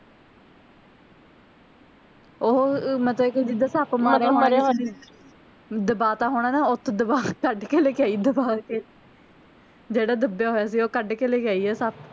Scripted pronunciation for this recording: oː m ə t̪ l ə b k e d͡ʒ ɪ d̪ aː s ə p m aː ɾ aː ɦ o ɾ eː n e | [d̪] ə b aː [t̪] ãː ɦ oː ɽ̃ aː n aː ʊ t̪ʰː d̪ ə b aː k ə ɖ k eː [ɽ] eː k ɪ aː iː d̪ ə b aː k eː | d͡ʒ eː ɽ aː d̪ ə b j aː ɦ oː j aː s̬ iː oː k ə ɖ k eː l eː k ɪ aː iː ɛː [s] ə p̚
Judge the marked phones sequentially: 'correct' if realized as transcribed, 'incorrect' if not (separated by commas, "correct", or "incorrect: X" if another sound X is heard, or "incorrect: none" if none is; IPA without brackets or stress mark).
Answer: correct, correct, incorrect: l, correct